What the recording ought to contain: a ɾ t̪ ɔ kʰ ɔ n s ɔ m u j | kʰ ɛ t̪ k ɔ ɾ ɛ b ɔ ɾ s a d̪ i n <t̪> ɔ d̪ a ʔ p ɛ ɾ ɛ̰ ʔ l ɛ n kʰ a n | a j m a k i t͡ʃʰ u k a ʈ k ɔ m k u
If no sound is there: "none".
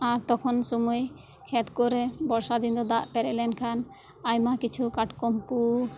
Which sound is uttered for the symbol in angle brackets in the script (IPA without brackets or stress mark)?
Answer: d̪